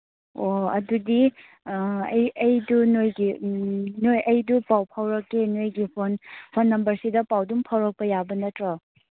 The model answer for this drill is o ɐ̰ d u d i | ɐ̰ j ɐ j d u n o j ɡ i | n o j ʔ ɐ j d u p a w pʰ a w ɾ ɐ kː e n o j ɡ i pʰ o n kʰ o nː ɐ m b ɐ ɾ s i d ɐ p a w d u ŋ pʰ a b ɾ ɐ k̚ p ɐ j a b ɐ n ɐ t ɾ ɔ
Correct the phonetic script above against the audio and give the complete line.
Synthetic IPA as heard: o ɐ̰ d u d i | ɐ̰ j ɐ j d u n o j ɡ i | n o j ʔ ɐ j d u p a w pʰ a w ɾ ɐ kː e n o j ɡ i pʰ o n pʰ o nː ɐ m b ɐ ɾ s i d ɐ p a w d u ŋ pʰ a w ɾ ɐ k̚ p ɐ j a b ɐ n ɐ t ɾ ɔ